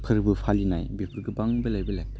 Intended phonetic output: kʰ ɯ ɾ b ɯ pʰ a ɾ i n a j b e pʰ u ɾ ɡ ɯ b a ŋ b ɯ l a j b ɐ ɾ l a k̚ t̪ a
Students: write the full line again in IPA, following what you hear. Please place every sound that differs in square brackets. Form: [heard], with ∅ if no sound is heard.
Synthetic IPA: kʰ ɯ ɾ b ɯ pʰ a [l] i n a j b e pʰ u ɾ ɡ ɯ b a ŋ b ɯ l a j b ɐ [∅] l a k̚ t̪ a